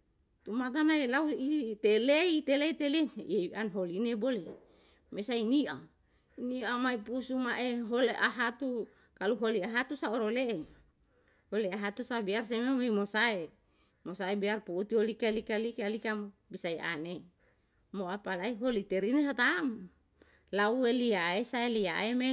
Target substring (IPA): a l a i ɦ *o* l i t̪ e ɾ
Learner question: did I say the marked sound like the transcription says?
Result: yes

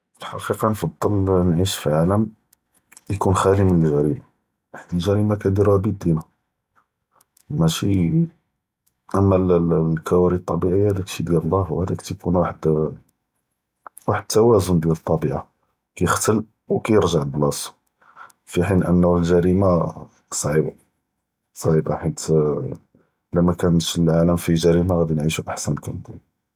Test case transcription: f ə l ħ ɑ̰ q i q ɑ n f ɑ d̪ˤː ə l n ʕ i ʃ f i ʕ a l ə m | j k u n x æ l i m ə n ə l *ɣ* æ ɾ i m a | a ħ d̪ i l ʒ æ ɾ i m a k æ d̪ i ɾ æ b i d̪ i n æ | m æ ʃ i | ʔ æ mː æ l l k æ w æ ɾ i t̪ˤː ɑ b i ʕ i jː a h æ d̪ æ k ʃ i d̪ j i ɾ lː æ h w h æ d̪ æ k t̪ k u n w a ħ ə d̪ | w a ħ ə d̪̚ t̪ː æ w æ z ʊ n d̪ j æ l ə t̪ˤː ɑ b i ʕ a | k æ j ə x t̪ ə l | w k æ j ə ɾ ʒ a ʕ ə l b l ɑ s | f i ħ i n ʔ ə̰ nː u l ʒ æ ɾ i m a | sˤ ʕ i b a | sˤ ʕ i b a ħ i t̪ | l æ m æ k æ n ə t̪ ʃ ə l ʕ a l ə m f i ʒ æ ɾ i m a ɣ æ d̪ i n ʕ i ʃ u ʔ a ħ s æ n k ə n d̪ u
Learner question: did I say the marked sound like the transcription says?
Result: no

